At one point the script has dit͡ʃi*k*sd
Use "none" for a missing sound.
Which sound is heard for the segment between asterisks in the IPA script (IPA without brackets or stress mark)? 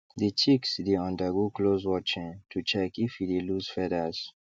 k